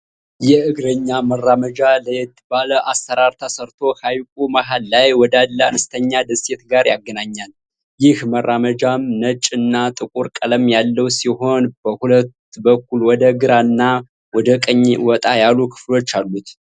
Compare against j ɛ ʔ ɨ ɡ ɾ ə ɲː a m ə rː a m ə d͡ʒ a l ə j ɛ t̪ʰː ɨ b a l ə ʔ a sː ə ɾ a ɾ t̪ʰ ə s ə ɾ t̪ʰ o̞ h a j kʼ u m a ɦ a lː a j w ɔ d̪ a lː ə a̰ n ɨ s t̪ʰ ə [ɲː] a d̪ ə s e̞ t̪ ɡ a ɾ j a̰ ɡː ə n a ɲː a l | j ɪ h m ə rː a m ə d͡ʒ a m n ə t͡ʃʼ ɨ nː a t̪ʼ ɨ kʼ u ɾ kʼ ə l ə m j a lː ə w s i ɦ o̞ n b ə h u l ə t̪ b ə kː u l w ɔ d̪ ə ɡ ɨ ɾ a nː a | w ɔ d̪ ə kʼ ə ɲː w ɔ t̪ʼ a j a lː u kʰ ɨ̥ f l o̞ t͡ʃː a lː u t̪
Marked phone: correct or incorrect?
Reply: correct